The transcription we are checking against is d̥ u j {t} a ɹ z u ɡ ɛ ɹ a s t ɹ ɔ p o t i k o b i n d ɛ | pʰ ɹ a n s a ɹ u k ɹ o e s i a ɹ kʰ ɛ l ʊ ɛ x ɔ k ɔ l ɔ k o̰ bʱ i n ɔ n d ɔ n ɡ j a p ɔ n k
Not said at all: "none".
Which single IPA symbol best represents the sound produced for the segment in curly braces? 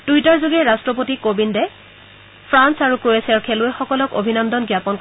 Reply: t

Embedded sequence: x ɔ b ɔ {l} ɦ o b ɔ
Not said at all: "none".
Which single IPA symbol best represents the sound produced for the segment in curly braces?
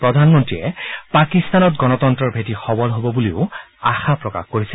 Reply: l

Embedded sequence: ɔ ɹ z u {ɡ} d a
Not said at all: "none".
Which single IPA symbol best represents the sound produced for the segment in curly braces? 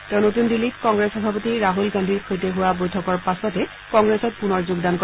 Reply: ɡ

